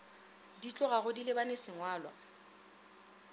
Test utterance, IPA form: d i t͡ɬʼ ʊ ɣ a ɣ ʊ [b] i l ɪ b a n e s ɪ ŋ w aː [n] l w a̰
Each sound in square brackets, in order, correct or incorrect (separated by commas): incorrect, incorrect